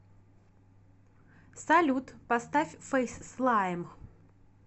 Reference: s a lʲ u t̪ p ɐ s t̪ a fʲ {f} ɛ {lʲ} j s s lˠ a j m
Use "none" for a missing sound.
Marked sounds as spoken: f, none

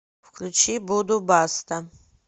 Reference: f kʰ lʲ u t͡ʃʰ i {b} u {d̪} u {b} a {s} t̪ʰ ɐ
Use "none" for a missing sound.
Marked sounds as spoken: b, d̪, b, s

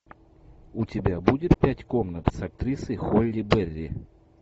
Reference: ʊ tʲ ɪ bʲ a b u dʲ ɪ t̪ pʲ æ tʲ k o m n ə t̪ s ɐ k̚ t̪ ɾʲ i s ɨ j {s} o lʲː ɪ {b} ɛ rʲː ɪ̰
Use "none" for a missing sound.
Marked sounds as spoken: x, b

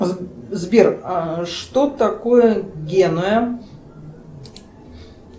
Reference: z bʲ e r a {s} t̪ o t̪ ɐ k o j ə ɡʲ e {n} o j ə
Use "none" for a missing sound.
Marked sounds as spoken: ʂ, n

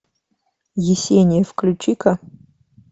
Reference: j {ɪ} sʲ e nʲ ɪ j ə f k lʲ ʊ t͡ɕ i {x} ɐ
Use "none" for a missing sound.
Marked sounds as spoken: ɪ, k

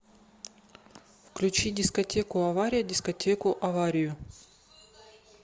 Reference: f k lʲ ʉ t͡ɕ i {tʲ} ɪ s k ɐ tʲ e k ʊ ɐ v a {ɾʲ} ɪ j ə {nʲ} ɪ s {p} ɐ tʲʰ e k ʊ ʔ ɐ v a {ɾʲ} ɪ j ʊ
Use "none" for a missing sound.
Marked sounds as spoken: dʲ, ɾʲ, dʲ, k, ɾʲ

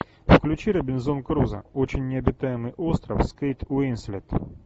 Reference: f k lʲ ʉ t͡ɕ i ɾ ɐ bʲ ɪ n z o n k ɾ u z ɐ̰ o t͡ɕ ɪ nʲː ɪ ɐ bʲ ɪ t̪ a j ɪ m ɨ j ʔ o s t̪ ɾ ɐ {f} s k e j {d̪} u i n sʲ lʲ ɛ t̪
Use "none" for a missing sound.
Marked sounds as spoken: f, t̪

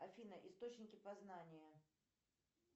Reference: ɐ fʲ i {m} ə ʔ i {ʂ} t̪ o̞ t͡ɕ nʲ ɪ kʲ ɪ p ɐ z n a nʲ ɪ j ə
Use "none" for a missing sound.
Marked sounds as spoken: n, s

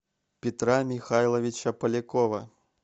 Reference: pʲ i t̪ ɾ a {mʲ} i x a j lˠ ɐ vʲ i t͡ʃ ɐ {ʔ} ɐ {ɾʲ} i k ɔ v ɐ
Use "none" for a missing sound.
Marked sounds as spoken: mʲ, p, lʲ

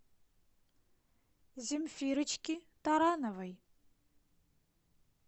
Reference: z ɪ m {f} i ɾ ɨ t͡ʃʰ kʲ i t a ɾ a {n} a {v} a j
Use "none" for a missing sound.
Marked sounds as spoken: f, n, v

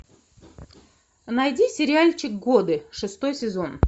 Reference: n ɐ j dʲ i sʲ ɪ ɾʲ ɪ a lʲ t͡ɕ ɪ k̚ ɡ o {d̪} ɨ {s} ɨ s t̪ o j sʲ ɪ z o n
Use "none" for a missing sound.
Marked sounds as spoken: d̪, ʂ

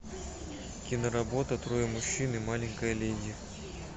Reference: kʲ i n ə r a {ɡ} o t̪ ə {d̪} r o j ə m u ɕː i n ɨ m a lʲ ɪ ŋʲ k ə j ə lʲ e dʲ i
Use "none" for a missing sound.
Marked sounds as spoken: b, t̪

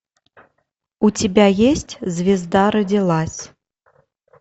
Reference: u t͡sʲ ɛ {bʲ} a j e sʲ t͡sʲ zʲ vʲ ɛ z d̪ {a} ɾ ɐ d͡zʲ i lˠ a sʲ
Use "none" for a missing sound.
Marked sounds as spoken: bʲ, a

